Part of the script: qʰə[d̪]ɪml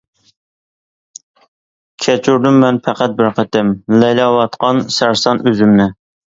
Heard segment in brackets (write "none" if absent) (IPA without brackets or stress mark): t̪